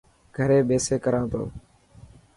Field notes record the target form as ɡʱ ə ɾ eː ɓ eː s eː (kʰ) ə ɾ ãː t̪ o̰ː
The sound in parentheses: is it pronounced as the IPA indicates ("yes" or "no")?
no